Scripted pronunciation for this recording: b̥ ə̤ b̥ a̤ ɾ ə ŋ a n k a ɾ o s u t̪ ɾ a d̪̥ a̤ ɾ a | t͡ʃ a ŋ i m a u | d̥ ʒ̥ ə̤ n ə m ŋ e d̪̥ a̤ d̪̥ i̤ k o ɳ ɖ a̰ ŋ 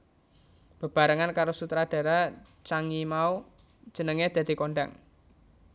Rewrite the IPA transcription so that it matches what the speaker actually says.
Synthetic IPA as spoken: b̥ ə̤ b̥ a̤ ɾ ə ŋ a n k a ɾ o s u t̪ ɾ a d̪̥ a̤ ɾ a | t͡ʃ a ŋ i m a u | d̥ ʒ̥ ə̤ n ə ŋ e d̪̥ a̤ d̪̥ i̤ k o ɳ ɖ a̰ ŋ